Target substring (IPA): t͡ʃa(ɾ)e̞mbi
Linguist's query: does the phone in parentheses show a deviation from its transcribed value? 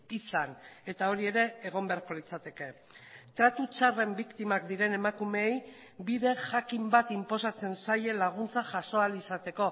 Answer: yes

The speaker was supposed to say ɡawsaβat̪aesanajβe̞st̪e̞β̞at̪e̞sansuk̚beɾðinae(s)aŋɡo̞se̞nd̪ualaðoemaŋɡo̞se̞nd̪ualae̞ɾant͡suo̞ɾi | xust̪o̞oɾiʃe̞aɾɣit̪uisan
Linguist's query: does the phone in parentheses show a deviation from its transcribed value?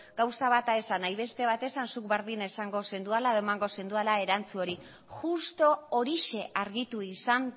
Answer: no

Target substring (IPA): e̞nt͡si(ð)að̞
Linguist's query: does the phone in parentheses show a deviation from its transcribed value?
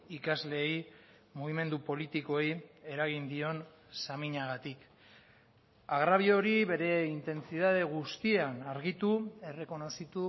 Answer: no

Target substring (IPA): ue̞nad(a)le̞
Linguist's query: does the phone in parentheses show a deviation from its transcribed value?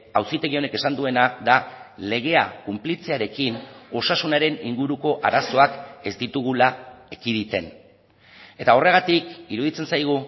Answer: no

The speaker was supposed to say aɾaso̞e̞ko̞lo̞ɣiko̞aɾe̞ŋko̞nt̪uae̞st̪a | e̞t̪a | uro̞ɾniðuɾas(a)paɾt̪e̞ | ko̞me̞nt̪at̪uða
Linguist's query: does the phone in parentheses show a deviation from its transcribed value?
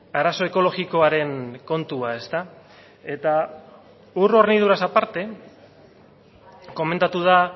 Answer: no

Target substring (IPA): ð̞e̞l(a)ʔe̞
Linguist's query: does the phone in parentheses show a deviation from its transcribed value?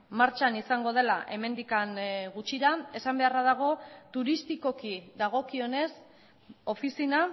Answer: no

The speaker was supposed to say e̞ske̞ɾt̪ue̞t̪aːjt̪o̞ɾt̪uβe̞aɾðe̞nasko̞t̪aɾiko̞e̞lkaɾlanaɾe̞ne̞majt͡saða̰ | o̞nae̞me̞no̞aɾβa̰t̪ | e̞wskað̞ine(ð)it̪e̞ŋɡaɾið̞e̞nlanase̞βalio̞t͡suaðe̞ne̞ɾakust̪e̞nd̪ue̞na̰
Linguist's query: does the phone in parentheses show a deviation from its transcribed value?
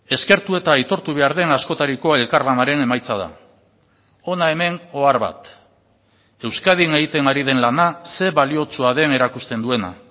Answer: yes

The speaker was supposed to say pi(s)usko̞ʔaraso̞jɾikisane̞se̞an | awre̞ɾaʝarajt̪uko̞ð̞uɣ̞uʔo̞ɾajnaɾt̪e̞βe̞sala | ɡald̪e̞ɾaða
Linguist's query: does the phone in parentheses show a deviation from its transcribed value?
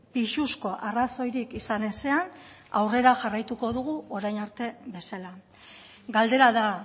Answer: yes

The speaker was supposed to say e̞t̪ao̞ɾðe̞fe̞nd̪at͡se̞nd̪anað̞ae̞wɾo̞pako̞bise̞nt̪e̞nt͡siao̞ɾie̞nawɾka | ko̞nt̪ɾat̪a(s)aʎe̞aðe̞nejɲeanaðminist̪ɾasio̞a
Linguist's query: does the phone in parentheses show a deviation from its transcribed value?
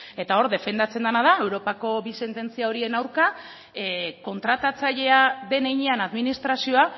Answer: yes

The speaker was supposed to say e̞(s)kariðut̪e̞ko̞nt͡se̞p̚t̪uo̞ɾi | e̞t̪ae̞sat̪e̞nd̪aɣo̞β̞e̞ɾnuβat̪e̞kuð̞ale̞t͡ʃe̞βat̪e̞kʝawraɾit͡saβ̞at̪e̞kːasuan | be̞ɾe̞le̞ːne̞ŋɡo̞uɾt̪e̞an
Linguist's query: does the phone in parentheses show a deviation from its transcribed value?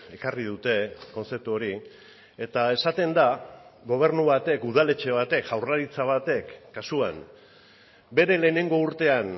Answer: yes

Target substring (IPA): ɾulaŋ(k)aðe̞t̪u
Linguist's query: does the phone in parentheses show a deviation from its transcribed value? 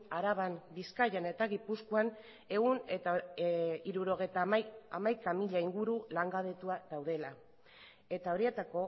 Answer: yes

